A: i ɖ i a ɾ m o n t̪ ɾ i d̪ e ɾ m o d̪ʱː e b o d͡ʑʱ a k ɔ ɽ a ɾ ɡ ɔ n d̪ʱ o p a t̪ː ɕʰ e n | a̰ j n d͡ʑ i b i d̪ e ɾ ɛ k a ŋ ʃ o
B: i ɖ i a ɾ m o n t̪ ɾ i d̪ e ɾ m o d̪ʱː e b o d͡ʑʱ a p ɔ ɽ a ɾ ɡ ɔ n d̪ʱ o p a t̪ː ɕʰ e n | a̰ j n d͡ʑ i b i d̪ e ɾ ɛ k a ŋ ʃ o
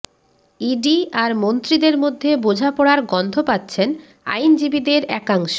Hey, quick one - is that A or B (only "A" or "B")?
B